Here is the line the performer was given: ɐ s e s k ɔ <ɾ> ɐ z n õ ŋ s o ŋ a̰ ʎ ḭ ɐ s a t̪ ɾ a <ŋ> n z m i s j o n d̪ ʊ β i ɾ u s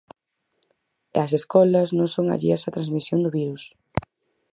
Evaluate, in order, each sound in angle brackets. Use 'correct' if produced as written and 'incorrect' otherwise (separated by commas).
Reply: incorrect, incorrect